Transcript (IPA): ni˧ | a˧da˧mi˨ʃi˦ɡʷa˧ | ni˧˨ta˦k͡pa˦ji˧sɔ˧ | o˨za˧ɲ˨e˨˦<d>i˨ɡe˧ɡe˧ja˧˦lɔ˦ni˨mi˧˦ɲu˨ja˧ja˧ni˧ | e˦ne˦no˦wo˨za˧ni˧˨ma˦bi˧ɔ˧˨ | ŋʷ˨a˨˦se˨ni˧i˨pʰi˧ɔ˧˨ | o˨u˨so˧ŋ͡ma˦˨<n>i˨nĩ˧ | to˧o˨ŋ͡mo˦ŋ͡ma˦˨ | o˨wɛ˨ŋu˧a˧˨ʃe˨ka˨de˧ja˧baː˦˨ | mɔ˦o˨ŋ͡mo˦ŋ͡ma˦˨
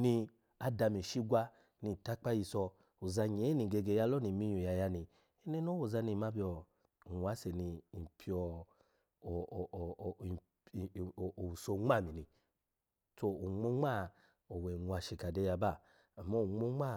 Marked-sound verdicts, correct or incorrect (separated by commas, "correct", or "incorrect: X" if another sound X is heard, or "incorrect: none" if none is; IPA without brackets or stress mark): incorrect: n, incorrect: m